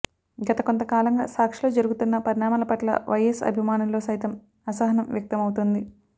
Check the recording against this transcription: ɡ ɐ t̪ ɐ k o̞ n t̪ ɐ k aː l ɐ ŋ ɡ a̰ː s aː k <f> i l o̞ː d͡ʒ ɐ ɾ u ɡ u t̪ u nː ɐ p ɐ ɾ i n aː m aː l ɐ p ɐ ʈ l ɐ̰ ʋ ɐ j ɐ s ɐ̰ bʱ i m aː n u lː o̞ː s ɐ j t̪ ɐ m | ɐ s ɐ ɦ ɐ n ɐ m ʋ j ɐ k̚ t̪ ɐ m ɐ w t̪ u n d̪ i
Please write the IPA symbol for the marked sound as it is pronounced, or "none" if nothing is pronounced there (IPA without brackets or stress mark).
ʂ